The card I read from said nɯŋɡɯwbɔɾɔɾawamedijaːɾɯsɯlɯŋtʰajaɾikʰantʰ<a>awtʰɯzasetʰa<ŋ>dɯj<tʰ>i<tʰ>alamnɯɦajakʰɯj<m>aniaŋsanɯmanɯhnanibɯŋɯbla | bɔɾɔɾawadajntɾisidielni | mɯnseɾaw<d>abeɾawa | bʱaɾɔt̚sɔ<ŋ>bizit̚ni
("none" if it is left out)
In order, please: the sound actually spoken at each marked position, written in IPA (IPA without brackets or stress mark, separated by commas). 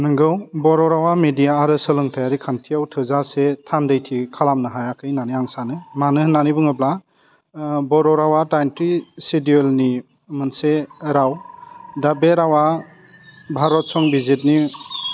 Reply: i, n, tʰ, kʰ, n, d, ŋ